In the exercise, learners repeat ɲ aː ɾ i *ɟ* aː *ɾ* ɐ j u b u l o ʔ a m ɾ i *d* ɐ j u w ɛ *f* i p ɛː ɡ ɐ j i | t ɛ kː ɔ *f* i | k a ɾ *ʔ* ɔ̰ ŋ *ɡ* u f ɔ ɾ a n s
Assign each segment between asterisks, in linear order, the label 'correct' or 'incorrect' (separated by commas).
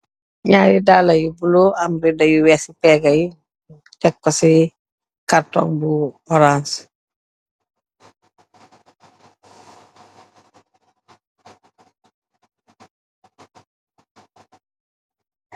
incorrect, incorrect, correct, incorrect, incorrect, incorrect, incorrect